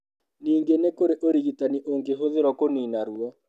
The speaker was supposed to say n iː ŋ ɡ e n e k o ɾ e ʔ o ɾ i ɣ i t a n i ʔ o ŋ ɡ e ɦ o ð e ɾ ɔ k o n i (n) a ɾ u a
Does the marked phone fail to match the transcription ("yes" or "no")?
no